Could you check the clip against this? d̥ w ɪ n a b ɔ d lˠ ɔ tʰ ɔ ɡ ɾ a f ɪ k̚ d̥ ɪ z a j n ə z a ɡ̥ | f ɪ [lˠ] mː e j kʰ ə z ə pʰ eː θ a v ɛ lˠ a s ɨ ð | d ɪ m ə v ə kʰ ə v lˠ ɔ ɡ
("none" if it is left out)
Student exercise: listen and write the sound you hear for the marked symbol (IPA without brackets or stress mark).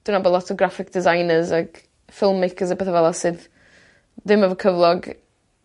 lˠ